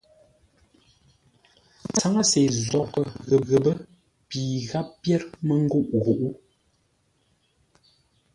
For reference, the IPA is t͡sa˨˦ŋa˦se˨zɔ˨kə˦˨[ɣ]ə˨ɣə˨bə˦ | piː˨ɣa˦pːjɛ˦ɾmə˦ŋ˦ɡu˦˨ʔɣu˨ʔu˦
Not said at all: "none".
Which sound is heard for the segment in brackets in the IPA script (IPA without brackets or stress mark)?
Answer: ɣ